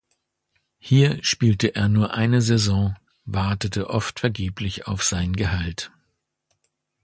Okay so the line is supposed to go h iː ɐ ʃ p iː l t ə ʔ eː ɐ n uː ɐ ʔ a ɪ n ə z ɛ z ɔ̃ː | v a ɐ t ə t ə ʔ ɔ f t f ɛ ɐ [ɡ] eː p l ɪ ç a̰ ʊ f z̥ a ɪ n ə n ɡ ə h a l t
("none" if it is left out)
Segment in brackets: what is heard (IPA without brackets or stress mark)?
ɡ